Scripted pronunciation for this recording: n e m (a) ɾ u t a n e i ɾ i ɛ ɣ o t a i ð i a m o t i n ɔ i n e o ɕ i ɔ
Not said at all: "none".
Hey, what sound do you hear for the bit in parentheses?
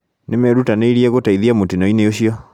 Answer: ɛ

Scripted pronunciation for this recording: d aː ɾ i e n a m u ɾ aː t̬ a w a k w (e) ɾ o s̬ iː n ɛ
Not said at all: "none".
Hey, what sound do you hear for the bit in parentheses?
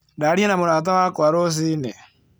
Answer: a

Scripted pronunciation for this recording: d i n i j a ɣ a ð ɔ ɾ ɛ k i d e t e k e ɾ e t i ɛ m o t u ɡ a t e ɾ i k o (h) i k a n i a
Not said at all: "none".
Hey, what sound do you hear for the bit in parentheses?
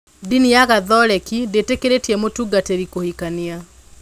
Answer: h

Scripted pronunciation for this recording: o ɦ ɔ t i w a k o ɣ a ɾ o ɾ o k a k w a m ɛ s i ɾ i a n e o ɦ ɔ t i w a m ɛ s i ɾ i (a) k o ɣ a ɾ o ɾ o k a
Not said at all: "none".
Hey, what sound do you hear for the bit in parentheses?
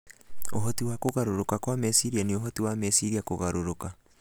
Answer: a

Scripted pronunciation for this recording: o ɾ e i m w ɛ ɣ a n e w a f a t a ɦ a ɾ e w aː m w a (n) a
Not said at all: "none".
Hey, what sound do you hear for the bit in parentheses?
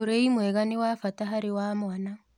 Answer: n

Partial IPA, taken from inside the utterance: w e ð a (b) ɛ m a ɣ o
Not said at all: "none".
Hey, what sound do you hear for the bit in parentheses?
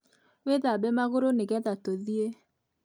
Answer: b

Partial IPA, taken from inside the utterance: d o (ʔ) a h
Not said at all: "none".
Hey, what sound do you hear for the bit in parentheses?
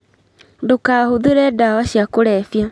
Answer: k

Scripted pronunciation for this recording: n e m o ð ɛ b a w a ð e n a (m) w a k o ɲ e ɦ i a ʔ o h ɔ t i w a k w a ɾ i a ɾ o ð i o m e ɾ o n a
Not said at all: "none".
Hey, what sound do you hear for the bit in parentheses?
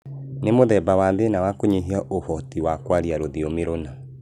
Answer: none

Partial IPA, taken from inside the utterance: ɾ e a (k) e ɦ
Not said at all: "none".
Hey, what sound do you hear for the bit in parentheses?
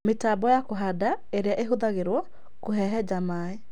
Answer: ʔ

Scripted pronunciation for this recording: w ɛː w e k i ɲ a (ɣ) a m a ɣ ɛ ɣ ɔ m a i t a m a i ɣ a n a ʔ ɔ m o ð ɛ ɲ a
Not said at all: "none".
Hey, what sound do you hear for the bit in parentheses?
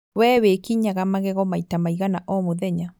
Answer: ɣ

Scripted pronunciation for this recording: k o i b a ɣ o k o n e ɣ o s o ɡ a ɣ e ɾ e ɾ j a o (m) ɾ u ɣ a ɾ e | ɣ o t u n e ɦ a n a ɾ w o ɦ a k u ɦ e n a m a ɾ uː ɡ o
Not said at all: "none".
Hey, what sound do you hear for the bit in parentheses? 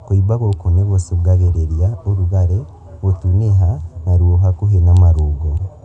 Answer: none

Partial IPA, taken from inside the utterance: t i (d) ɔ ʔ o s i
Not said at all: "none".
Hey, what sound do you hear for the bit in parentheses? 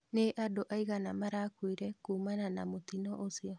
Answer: n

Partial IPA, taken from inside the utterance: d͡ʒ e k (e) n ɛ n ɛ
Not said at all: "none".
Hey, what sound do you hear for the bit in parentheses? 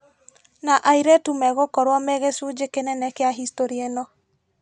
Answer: e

